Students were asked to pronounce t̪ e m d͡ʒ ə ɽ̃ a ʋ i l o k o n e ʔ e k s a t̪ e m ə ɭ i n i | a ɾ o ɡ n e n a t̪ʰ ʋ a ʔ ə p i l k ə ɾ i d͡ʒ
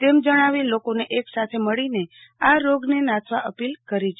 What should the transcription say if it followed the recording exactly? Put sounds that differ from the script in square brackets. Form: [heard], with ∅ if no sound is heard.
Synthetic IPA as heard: t̪ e m d͡ʒ ə ɽ̃ a ʋ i l o k o n e ʔ e k s a [t̪ʰ] e m ə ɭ i n [e] | a ɾ o ɡ n e n a t̪ʰ ʋ a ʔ ə p i l k ə ɾ i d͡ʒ